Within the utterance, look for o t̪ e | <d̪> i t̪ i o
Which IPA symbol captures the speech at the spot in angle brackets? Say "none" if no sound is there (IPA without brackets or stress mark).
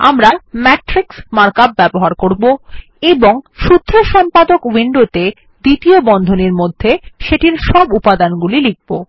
d̪